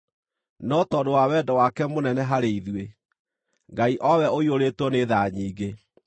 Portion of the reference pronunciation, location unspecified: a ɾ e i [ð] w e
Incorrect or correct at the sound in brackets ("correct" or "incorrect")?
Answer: correct